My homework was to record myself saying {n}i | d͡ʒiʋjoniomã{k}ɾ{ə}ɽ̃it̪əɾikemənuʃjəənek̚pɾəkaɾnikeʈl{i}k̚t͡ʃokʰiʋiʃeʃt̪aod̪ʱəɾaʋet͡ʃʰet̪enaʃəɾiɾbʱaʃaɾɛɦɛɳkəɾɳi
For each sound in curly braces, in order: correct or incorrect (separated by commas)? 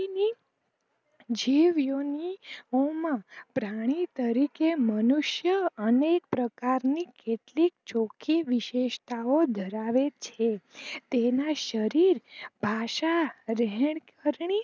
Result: correct, incorrect, incorrect, correct